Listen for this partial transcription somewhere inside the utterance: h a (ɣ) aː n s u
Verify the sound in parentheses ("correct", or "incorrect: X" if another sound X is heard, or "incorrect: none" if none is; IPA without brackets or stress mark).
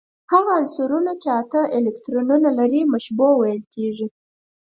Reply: correct